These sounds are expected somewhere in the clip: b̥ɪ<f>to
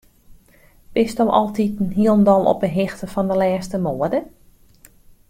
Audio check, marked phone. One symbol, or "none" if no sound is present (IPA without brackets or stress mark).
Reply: s